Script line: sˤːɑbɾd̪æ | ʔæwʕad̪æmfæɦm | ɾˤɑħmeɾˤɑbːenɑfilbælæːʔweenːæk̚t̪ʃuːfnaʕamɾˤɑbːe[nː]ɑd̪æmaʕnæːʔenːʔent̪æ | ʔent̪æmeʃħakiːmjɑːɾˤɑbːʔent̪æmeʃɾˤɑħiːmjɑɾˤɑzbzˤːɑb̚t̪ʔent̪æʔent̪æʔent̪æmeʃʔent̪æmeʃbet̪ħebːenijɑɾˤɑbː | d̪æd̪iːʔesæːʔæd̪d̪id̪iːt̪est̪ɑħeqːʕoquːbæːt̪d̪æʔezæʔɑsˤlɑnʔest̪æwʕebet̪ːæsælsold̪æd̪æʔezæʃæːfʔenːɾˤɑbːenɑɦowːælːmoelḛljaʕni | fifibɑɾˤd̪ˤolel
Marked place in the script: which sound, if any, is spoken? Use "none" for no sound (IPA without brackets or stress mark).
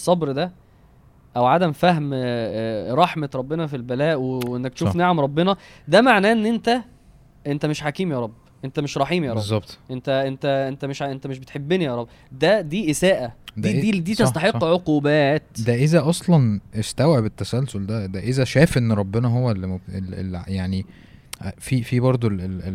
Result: n